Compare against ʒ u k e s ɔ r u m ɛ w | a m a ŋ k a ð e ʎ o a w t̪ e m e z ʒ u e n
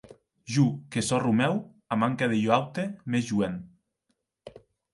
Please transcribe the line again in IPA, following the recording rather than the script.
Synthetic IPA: ʒ u k e s ɔ r u m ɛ w | a m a ŋ k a ð e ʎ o a w t̪ e m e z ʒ u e n

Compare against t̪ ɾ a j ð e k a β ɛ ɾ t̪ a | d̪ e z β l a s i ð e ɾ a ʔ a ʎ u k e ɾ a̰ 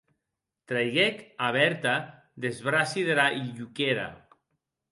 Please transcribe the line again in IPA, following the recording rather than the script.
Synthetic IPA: t̪ ɾ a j ɣ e k a β ɛ ɾ t̪ a | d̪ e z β ɾ a s i ð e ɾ a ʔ i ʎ u k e ɾ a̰

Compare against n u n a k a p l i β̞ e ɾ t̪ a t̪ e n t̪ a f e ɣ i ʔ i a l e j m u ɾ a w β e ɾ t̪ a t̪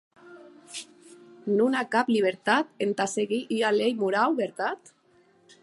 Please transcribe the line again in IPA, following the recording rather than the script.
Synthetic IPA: n u n a k a p l i β̞ e ɾ t̪ a t̪ e n t̪ a s e ɣ i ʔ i a l e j m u ɾ a w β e ɾ t̪ a t̪

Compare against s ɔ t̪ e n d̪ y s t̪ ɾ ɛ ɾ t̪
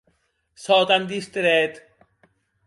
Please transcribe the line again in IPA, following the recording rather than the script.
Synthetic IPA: s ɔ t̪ a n d̪ i s t̪ ɾ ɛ t̪

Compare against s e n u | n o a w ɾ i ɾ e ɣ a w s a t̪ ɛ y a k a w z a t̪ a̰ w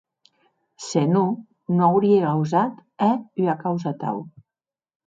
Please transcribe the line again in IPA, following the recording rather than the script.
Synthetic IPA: s e n u | n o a w ɾ i e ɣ a w z a t̪ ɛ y a k a w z a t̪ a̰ w

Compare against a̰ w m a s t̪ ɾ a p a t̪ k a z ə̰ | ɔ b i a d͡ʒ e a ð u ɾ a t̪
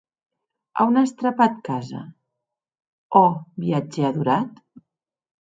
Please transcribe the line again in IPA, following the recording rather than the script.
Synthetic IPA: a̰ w n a s t̪ ɾ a p a t̪ k a z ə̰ | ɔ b i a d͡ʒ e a ð u ɾ a t̪

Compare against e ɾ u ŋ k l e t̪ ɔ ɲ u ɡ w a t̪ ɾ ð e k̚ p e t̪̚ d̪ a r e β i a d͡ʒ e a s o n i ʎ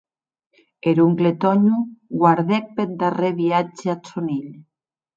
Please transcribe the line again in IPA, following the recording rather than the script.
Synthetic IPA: e ɾ u ŋ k l e t̪ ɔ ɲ u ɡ w a ɾ ð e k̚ p e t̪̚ d̪ a r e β i a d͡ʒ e a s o n i ʎ

